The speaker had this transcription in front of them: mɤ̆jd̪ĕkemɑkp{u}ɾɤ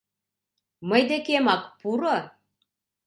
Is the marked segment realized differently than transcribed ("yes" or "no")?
no